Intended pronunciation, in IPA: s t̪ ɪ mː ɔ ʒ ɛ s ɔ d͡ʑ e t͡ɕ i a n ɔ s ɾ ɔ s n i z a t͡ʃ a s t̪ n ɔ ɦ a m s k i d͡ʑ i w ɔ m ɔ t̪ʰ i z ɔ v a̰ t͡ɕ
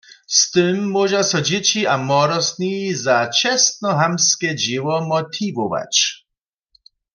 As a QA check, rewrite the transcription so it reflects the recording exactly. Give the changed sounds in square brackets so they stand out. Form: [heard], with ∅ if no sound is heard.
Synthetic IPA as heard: s t̪ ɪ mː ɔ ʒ [a] s ɔ d͡ʑ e t͡ɕ i a [m] ɔ [∅] ɾ ɔ s n i z a t͡ʃ [ɛ] s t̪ n ɔ ɦ a m s k [ɛ] d͡ʑ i w ɔ m ɔ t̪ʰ i [v] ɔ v a̰ t͡ɕ